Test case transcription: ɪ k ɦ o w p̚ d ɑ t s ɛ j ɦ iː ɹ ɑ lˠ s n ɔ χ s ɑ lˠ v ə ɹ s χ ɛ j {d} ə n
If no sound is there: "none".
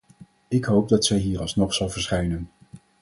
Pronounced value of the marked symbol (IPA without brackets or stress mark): n